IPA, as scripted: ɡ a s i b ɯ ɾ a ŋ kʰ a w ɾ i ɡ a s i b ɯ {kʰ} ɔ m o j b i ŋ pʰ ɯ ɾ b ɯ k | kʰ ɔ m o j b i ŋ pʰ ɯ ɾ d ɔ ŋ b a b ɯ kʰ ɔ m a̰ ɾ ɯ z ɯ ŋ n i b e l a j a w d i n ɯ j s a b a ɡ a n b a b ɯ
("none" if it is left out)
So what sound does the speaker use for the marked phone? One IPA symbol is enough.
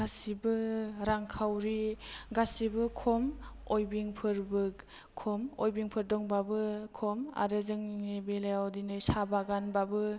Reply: kʰ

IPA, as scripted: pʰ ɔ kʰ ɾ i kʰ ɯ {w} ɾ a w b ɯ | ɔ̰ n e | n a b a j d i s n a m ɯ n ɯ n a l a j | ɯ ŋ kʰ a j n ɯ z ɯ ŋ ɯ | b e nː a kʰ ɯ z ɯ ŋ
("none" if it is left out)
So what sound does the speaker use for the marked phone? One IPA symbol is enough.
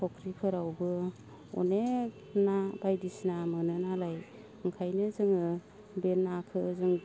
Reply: none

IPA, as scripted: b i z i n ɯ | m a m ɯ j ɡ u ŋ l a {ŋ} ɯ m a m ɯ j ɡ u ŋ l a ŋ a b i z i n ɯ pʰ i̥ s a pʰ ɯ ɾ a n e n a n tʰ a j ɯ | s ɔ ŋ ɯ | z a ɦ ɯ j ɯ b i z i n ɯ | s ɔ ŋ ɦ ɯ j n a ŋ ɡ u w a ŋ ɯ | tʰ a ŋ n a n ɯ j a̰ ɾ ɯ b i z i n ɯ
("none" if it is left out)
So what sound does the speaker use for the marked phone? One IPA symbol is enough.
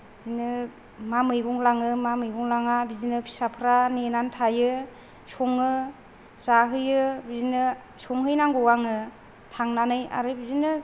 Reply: ŋ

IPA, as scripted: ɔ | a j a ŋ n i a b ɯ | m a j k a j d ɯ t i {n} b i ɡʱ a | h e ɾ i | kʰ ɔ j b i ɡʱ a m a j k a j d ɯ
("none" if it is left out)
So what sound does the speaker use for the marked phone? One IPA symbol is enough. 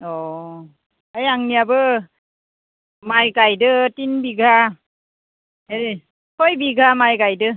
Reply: n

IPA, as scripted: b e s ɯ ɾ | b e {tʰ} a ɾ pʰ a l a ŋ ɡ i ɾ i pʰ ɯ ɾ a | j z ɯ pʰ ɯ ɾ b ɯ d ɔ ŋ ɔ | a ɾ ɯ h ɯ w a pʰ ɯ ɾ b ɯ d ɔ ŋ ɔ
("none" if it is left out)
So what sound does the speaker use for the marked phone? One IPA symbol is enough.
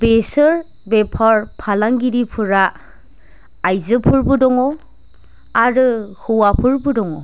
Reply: pʰ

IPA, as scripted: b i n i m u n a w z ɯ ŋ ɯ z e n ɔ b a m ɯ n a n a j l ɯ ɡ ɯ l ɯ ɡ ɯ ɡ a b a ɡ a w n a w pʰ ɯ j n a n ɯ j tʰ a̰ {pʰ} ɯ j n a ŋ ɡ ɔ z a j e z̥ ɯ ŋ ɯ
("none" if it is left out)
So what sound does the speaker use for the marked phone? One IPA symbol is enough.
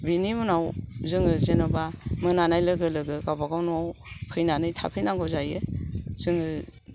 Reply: pʰ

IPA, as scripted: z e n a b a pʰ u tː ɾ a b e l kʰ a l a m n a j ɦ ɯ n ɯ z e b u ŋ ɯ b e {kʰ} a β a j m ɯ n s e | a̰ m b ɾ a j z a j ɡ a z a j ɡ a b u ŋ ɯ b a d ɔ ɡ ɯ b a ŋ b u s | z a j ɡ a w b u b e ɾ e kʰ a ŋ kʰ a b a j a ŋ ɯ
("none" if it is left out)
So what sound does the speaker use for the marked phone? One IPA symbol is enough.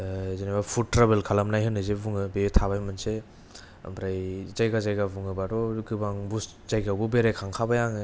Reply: tʰ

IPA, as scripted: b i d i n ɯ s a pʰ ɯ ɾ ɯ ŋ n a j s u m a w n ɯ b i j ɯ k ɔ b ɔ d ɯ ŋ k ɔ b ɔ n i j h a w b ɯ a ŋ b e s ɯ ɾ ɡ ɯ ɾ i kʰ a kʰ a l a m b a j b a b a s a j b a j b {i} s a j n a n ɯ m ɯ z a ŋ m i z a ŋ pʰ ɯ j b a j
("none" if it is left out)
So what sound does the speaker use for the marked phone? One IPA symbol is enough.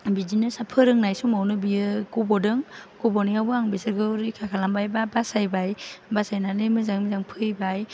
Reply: a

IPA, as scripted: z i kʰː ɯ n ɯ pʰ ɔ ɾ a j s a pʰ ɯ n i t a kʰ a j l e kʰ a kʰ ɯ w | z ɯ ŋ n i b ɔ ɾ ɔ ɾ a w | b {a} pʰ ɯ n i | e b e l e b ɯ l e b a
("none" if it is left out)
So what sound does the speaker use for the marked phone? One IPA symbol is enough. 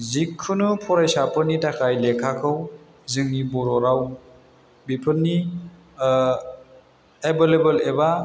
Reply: i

